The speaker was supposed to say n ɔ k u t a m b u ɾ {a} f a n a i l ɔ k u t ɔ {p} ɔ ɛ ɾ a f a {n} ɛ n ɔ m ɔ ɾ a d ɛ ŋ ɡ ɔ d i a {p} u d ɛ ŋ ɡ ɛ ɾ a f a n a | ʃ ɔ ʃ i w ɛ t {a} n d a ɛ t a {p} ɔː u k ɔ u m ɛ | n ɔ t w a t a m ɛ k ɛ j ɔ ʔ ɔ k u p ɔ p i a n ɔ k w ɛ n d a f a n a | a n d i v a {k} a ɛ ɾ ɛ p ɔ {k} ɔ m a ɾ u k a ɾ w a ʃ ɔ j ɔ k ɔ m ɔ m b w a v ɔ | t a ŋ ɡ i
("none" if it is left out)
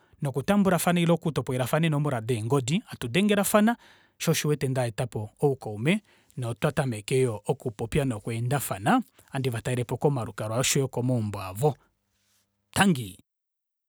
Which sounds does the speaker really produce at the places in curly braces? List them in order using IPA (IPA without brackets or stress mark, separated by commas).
a, p, n, t, ɛ, p, t, k